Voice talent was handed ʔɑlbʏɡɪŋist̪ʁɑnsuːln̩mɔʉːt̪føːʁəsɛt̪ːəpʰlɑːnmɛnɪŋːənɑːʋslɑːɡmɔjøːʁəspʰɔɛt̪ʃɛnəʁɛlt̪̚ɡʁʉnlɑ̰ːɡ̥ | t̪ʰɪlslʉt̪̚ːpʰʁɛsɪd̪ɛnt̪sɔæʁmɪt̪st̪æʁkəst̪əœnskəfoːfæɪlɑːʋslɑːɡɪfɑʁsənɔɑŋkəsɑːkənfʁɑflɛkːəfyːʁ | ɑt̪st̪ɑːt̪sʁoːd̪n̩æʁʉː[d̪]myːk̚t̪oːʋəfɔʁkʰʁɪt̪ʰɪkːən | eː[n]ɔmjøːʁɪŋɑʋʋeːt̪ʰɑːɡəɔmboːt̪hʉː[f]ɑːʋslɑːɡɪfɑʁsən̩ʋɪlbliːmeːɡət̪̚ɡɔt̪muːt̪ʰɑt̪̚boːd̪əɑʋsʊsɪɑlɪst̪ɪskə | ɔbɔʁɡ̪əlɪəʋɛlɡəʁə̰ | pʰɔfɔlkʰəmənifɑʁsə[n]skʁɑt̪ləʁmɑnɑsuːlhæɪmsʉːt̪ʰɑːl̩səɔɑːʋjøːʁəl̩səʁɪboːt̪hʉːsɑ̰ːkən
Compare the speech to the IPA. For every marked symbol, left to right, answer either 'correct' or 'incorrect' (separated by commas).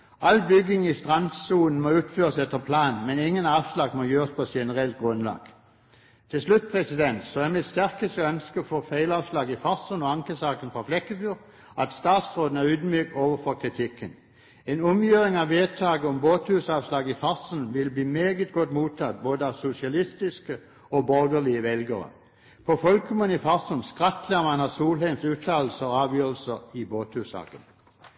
correct, correct, incorrect, correct